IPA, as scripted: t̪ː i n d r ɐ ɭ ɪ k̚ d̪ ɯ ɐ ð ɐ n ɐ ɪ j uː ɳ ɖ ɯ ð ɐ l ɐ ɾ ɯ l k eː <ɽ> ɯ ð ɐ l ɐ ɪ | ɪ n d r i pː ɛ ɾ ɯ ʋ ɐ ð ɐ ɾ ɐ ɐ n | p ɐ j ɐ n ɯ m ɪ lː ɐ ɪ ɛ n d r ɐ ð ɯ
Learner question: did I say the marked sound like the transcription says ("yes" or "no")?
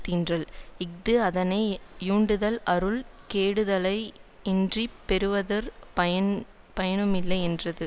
yes